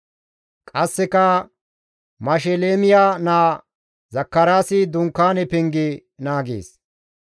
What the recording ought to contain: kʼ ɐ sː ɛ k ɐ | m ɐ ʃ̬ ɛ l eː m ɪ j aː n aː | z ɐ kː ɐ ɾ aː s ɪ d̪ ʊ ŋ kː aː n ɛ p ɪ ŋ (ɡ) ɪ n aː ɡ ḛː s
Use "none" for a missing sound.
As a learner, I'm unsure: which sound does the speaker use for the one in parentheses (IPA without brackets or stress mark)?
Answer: ɡ